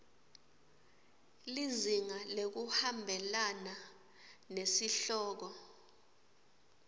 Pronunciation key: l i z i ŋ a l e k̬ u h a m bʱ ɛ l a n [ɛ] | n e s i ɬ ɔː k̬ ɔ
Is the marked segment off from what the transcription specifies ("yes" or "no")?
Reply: yes